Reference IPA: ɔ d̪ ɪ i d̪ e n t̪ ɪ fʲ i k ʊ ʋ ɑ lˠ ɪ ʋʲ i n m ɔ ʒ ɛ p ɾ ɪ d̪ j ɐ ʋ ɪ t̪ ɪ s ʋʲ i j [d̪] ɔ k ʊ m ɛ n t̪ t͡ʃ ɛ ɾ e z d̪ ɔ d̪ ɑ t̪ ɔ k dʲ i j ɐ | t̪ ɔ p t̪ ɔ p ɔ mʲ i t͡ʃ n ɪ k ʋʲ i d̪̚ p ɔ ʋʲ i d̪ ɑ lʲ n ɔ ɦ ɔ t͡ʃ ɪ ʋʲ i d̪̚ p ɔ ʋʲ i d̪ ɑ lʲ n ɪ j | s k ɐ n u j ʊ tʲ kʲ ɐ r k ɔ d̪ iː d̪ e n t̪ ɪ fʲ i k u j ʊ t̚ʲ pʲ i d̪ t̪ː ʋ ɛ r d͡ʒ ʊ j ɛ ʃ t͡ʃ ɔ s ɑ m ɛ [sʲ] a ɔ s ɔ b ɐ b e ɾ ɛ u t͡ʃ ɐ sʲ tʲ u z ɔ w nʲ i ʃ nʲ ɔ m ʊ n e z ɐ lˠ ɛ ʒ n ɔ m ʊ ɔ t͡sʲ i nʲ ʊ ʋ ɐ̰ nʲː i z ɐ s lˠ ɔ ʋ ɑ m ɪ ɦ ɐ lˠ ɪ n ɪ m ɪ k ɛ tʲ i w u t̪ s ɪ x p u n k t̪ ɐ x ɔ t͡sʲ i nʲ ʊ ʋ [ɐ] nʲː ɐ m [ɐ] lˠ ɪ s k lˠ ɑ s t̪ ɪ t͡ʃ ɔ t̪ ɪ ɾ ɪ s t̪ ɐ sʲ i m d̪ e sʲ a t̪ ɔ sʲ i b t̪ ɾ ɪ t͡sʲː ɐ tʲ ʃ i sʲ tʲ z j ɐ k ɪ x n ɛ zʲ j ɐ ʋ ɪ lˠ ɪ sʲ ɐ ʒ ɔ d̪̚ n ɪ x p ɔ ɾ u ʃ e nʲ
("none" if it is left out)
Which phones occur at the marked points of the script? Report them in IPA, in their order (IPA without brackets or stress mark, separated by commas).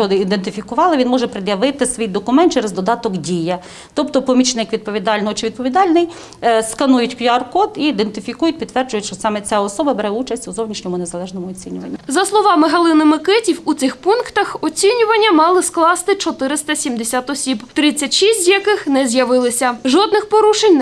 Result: d̪, t͡sʲ, ɐ, ɑ